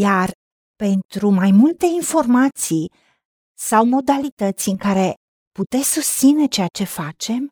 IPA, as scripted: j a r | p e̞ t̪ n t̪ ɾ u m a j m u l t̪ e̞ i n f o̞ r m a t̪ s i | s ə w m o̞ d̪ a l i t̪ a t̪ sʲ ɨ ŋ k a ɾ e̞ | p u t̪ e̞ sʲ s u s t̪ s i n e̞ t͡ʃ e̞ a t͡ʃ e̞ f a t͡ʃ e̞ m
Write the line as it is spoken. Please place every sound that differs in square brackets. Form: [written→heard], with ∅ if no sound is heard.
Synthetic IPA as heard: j a r | p e̞ [t̪→∅] n t̪ ɾ u m a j m u l t̪ e̞ i n f o̞ r m a t̪ s i | s [ə→a] w m o̞ d̪ a l i t̪ [a→ə] t̪ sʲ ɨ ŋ k a ɾ e̞ | p u t̪ e̞ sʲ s u s t̪ s i n e̞ t͡ʃ e̞ a t͡ʃ e̞ f a t͡ʃ e̞ m